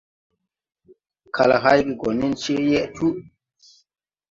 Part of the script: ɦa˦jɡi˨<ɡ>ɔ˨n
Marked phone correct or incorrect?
correct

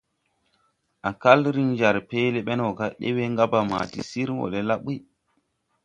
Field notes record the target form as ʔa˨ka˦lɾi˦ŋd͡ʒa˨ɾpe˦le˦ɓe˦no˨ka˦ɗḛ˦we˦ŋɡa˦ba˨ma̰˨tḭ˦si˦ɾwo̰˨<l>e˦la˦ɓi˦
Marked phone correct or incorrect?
correct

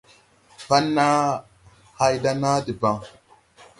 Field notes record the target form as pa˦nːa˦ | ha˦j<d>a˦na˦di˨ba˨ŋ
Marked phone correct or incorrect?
correct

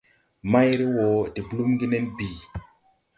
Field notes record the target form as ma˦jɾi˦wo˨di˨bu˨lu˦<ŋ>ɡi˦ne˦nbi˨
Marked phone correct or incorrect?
incorrect: m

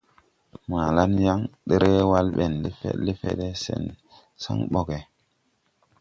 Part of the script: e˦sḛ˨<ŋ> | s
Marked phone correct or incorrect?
incorrect: n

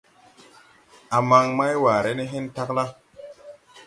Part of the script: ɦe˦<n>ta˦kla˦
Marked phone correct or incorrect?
correct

